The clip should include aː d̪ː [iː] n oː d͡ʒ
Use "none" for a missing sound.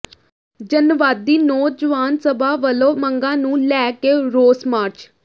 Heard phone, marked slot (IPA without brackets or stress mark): iː